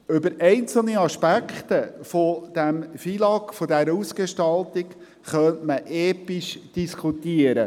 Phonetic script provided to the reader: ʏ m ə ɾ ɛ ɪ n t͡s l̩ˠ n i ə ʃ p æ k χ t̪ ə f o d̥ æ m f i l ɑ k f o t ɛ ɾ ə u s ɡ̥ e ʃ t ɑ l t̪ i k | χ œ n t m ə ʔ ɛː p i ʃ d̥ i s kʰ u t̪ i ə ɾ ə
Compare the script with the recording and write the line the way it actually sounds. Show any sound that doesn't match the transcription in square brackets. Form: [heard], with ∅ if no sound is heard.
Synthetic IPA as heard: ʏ [b] ə ɾ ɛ ɪ n t͡s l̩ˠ n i [ɑ] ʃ p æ k χ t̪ ə f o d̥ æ m f i l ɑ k f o [d] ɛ ɾ ə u s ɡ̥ e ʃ t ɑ l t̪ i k | χ œ n t m ə ʔ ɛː p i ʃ d̥ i s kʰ u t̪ i ə ɾ ə

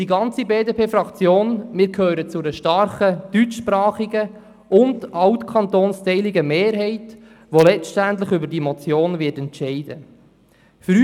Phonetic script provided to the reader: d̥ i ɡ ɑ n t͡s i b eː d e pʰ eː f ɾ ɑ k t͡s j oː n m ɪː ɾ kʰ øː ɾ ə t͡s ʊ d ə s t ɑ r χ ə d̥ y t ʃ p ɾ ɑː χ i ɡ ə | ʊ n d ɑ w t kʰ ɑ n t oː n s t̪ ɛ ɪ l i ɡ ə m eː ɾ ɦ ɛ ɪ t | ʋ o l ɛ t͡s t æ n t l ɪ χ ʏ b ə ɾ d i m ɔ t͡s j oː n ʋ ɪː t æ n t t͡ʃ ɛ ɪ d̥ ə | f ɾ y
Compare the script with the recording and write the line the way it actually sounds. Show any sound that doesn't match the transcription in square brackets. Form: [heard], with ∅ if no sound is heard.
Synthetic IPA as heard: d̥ i ɡ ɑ n t͡s i b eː d e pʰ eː f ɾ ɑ k t͡s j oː n m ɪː ɾ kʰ øː ɾ ə t͡s ʊ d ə [ʃ] t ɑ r χ ə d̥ y [t͡ʃ] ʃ p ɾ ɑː χ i ɡ ə | ʊ n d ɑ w t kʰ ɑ n t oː n s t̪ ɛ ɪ l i ɡ ə m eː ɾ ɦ ɛ ɪ t | ʋ o l ɛ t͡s t æ n t l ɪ χ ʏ b ə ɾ d i m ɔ t͡s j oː n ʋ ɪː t [ɛ] n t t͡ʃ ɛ ɪ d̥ ə | f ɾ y

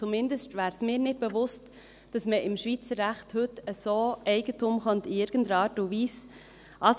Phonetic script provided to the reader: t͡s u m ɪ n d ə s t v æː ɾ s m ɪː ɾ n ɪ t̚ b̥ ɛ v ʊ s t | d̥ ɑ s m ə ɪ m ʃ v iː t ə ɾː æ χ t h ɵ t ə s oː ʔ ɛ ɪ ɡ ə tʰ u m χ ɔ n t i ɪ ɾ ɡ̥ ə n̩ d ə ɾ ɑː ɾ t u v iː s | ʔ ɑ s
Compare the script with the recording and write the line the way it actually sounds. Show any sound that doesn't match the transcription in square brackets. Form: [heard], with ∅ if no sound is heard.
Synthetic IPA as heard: t͡s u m ɪ n d ə s t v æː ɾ s m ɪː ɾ n ɪ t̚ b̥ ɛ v ʊ s t | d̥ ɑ s m ə ɪ m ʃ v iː [t͡s] ə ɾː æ χ t h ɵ t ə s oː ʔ ɛ ɪ ɡ ə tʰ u m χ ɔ n t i ɪ ɾ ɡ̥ ə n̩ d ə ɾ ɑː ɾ t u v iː s | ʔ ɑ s

